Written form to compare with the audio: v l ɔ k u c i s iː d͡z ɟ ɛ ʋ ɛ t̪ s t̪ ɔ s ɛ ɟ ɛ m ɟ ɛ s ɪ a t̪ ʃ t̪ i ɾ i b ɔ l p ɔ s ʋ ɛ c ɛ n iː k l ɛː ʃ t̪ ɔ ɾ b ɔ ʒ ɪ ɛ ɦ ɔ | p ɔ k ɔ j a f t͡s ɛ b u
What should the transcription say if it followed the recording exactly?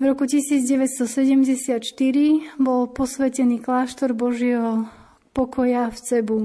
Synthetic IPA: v ɾ ɔ k u c i s iː d͡z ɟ ɛ ʋ ɛ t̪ s t̪ ɔ s ɛ ɟ ɛ m ɟ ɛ s ɪ a t̪ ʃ t̪ i ɾ i b ɔ l p ɔ s ʋ ɛ c ɛ n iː k l aː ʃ t̪ ɔ ɾ b ɔ ʒ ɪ ɛ ɦ ɔ | p ɔ k ɔ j a f t͡s ɛ b u